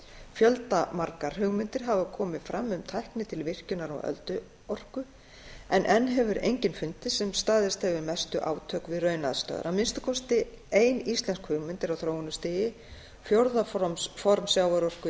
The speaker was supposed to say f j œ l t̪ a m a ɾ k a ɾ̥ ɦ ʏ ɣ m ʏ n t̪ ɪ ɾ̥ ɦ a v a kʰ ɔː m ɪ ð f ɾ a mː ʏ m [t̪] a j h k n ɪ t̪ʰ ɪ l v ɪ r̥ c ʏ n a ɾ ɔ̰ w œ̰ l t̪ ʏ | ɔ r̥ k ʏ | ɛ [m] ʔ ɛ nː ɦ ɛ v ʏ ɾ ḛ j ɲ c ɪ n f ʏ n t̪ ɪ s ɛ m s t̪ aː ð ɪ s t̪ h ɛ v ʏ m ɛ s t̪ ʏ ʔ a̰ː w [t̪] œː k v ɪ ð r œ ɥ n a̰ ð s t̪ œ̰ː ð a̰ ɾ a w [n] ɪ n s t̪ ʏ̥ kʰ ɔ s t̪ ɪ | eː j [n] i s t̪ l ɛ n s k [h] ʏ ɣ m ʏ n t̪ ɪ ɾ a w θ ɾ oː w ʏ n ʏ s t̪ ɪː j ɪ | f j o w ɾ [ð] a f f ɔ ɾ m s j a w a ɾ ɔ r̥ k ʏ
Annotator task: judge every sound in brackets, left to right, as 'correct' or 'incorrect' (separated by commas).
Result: incorrect, incorrect, incorrect, incorrect, correct, correct, correct